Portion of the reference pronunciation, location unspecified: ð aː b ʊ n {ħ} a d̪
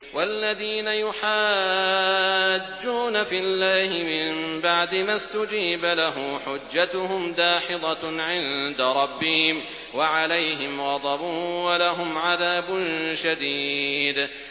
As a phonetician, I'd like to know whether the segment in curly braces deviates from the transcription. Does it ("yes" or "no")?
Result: yes